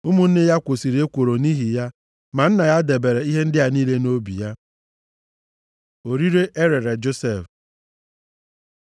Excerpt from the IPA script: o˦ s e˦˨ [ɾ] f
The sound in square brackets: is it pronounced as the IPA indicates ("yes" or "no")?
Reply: no